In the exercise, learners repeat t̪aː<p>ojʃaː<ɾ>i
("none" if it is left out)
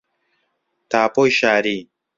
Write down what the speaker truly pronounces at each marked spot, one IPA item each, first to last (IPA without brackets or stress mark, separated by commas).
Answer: p, ɾ